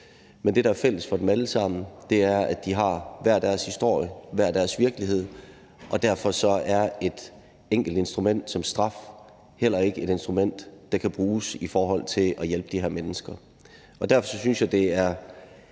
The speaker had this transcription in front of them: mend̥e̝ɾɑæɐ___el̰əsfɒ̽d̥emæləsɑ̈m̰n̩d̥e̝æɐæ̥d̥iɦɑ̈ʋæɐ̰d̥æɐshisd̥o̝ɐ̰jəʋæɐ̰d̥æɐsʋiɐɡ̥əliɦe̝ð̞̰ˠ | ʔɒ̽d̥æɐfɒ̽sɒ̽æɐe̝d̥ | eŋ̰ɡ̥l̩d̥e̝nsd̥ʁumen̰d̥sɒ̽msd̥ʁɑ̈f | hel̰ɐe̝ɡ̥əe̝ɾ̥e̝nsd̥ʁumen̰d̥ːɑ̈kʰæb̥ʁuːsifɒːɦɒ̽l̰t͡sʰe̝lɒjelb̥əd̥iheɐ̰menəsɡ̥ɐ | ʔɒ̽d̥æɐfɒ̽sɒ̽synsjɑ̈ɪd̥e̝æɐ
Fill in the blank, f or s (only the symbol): f